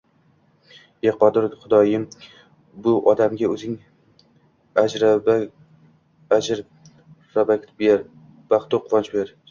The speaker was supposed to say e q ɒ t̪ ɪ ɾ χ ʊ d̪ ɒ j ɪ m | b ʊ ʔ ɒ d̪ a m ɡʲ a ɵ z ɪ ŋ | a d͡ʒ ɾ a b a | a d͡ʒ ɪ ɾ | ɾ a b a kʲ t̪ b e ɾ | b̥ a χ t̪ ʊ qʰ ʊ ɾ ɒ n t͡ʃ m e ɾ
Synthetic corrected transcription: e q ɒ d̪ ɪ ɾ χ ʊ d̪ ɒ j ɪ m | b ʊ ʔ ɒ d̪ a m ɡʲ a ɵ z ɪ ŋ | a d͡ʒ ɾ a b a | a d͡ʒ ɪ ɾ | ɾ a b a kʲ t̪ b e ɾ | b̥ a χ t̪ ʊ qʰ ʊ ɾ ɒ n t͡ʃ b e ɾ